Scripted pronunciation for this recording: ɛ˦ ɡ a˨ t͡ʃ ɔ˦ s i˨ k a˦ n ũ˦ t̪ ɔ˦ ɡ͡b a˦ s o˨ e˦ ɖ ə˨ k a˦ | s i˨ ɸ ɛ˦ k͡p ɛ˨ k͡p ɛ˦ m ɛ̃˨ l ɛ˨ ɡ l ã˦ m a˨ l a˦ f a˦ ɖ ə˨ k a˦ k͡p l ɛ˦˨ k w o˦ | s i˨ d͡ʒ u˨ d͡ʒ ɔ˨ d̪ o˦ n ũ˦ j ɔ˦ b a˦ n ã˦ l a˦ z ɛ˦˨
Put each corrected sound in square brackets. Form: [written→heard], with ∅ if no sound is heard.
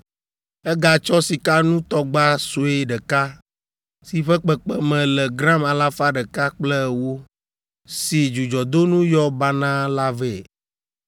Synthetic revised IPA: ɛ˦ ɡ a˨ t͡ʃ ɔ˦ s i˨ k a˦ n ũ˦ t̪ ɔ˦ ɡ͡b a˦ s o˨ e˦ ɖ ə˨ k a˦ | s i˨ ɸ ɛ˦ k͡p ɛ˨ k͡p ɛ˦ m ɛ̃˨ l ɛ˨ ɡ [l→ɾ] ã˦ m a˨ l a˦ f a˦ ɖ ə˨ k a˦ k͡p l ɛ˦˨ [k→∅] w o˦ | s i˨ d͡ʒ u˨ d͡ʒ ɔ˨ d̪ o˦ n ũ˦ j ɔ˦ b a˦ n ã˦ l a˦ [z→v] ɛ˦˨